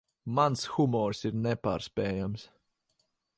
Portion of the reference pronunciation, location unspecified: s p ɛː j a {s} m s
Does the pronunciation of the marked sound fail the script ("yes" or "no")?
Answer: yes